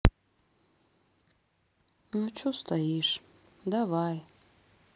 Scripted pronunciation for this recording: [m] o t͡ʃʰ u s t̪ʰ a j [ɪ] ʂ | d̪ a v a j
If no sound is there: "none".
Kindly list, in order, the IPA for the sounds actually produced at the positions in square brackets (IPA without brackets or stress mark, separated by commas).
n, i